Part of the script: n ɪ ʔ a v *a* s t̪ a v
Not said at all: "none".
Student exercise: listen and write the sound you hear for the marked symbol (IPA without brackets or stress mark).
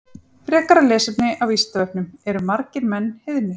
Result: i